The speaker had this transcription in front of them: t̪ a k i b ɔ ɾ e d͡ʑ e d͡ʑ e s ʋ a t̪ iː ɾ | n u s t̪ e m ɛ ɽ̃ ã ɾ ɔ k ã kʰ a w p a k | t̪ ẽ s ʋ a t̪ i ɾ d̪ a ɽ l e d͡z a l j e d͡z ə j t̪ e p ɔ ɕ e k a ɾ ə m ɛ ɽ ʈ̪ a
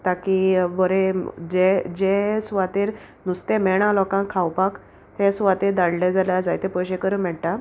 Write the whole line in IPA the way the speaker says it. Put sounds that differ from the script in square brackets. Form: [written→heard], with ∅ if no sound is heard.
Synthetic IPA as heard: t̪ a k i b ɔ ɾ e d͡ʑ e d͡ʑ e s ʋ a t̪ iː ɾ | n u s t̪ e m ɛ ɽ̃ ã [ɾ→l] ɔ k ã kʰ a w p a k | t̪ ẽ s ʋ a t̪ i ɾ d̪ a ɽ l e d͡z a l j [e→a] d͡z [ə→a] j t̪ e p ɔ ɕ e k [a→ə] ɾ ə m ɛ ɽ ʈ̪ a